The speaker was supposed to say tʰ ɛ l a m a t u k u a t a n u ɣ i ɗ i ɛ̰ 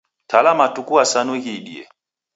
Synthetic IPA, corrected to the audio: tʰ a l a m a t u k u a s a n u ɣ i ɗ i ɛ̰